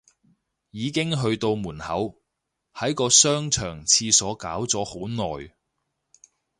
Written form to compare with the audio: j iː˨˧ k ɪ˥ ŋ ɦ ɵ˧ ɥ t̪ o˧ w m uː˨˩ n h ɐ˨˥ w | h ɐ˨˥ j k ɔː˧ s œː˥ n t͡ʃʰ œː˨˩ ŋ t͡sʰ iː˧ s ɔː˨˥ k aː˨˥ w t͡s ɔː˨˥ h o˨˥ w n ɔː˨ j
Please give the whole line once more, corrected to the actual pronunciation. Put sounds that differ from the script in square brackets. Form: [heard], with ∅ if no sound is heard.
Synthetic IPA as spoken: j iː˨˧ k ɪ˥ ŋ ɦ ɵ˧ ɥ t̪ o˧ w m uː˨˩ n h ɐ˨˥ w | h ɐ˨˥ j k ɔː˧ s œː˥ [ŋ] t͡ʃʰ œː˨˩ ŋ t͡sʰ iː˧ s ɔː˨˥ k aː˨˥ w t͡s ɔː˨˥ h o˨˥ w n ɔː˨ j